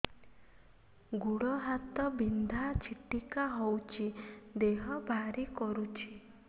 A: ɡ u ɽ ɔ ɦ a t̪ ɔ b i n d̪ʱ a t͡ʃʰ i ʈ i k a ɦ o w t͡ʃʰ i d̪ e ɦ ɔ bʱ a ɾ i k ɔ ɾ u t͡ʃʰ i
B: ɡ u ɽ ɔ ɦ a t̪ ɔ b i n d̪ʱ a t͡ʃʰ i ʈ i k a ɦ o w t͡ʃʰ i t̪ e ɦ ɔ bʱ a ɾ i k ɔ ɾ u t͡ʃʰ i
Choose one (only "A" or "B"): A